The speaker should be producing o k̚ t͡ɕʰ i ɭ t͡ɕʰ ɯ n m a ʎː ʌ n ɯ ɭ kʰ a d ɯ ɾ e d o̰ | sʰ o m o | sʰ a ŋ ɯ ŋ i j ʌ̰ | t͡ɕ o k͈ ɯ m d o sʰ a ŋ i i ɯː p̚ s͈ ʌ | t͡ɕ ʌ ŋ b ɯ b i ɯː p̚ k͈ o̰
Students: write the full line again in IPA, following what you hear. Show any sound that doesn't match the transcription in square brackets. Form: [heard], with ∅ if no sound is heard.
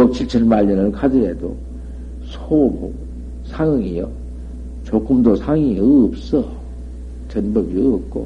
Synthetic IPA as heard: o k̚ t͡ɕʰ i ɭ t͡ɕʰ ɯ n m a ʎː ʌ n ɯ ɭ kʰ a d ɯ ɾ e d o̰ | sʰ o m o | sʰ a ŋ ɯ ŋ i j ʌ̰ | t͡ɕ o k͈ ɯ m d o sʰ a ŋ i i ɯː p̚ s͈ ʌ | t͡ɕ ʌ [n] b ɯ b i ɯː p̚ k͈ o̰